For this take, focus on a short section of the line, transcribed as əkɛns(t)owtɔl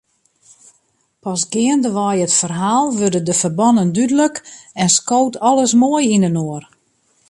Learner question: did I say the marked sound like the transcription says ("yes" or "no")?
no